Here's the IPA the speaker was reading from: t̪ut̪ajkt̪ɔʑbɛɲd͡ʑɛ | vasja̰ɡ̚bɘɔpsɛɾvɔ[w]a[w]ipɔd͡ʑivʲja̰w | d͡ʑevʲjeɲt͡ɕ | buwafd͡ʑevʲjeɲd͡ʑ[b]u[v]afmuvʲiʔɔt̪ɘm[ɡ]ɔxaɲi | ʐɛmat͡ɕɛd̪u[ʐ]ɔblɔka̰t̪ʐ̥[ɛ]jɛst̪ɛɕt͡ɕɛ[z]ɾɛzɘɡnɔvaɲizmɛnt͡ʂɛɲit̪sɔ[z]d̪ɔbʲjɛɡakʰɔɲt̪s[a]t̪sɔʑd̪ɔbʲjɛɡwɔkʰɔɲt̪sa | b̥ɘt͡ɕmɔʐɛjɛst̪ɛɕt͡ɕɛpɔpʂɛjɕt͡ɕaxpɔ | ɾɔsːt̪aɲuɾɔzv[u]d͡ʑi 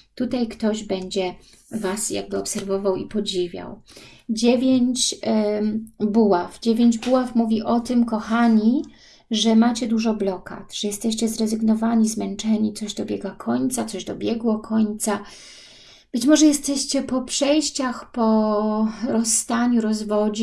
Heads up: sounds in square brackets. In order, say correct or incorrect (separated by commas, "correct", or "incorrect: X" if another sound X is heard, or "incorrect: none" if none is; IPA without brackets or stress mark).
incorrect: v, correct, correct, incorrect: w, incorrect: k, correct, correct, correct, incorrect: ʑ, correct, incorrect: ɔ